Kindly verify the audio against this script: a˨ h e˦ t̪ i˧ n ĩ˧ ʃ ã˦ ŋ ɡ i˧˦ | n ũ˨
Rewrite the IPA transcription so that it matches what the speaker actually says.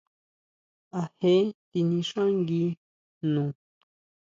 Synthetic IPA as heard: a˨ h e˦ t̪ i˧ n ĩ˧ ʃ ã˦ ŋ ɡ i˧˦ | n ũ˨